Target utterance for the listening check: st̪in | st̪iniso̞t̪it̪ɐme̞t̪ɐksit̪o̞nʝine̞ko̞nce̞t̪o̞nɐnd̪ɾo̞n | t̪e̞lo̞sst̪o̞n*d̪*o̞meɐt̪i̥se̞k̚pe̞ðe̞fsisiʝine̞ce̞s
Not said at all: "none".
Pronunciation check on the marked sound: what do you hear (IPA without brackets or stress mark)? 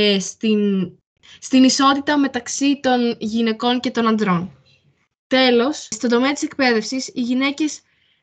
d̪